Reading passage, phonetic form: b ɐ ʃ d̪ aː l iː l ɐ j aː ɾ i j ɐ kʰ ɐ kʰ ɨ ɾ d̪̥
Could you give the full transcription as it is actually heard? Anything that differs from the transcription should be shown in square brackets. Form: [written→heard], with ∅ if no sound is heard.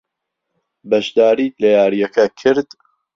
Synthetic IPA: b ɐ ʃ d̪ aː [l→ɾ] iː l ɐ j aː ɾ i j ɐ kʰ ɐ kʰ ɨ ɾ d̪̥